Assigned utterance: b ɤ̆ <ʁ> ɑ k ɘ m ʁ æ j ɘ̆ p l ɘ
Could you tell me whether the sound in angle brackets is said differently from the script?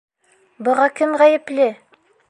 no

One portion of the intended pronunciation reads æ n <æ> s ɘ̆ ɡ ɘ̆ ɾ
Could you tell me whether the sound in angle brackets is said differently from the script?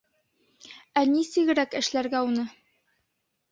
yes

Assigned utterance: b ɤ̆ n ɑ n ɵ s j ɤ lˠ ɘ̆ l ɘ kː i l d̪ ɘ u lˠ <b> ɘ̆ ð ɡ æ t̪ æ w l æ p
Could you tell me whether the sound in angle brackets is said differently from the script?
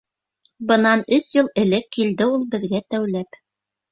no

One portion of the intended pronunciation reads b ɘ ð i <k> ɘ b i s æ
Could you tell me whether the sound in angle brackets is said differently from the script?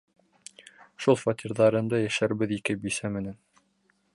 no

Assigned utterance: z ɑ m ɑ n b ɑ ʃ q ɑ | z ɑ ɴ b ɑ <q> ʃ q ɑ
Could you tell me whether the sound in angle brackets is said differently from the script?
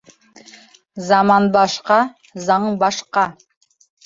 yes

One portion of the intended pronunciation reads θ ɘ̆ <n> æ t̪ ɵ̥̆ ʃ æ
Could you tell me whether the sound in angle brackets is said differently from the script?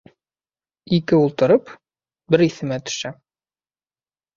yes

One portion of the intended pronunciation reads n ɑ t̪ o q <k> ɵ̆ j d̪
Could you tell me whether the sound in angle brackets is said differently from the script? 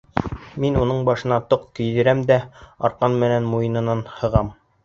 no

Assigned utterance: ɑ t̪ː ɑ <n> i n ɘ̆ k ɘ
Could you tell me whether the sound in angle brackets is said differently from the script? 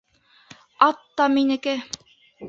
yes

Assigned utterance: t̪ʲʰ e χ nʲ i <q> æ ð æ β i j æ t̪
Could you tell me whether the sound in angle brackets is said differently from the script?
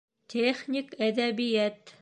yes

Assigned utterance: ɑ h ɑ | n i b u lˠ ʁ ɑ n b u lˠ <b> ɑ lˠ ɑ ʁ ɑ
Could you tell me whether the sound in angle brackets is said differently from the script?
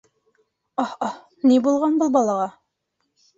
no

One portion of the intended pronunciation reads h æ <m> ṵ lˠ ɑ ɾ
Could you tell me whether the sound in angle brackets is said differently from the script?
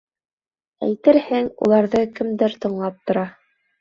yes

